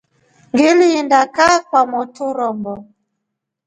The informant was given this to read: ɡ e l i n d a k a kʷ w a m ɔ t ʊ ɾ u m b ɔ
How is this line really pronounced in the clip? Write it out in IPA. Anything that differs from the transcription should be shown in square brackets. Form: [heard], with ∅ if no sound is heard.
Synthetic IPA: ɡ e l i n d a k a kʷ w a m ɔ t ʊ ɾ [ɔ] m b ɔ